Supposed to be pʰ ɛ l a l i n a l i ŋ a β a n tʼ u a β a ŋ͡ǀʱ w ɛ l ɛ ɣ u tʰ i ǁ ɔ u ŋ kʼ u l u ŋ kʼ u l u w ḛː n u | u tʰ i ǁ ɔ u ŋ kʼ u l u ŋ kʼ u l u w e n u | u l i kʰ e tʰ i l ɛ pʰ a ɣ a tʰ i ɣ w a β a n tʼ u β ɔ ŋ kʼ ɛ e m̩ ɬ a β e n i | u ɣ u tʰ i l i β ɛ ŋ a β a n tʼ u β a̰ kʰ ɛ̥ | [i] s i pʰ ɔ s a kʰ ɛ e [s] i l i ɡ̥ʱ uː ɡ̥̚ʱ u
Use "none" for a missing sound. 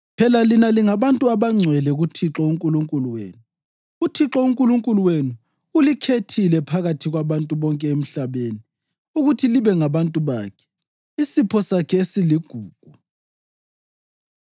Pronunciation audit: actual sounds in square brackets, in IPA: i, s

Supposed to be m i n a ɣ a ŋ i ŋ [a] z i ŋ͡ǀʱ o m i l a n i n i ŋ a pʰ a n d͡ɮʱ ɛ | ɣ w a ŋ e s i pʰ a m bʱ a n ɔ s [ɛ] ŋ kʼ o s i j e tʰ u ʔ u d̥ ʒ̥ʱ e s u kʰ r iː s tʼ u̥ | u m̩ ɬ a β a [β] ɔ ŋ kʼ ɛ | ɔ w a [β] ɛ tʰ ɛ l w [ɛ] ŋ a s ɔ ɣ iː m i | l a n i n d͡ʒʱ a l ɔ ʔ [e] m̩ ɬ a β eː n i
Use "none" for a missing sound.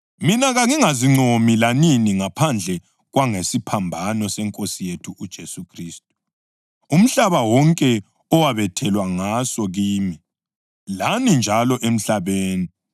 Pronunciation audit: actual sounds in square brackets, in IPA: a, ɛ, w, β, a, e

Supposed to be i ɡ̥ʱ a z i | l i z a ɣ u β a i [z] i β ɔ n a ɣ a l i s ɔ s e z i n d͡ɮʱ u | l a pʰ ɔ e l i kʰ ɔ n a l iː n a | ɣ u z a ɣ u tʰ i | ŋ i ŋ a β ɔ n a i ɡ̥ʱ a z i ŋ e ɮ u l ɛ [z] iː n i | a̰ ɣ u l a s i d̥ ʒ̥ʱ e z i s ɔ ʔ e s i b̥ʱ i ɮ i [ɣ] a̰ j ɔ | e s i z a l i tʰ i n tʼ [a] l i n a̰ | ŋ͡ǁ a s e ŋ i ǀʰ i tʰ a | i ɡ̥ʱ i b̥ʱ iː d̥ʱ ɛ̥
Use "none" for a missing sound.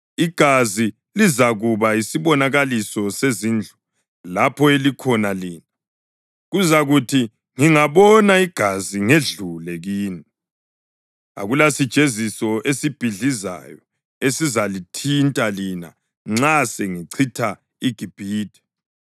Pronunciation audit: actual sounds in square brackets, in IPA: s, ɣ, z, a

